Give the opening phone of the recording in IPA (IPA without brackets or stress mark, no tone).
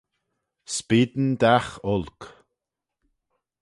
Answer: s